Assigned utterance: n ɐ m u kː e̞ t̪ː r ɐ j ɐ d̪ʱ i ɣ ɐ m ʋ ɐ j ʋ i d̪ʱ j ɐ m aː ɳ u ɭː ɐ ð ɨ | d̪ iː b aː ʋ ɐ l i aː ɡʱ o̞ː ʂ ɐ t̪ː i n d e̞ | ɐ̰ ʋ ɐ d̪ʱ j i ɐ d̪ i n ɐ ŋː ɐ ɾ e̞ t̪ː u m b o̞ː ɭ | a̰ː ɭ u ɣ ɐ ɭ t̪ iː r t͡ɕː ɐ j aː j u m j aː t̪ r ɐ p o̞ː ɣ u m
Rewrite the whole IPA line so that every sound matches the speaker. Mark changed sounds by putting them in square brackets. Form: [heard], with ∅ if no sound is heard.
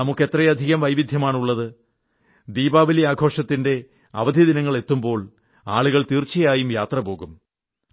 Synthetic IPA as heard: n ɐ m u kː e̞ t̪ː r ɐ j ɐ d̪ʱ i ɣ ɐ m ʋ ɐ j ʋ i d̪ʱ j ɐ m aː ɳ u ɭː ɐ ð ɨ | d̪ iː b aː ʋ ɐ l i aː ɡʱ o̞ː ʂ ɐ t̪ː i n d e̞ | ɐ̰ ʋ ɐ d̪ʱ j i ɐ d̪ i n ɐ ŋː ɐ [ɭ] e̞ t̪ː u m b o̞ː ɭ | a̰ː ɭ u ɣ ɐ ɭ t̪ iː r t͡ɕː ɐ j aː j u m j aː t̪ r ɐ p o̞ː ɣ u m